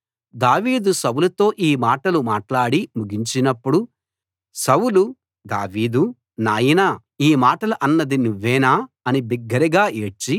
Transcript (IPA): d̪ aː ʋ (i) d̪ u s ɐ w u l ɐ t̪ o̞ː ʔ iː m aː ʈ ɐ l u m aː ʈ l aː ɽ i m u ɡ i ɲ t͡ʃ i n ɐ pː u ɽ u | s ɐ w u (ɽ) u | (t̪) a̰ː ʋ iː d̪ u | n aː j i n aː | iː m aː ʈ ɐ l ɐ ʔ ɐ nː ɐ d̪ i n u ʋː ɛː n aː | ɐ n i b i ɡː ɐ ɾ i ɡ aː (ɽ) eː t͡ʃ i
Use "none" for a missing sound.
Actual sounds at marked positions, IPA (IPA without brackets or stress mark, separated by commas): iː, l, d̪, none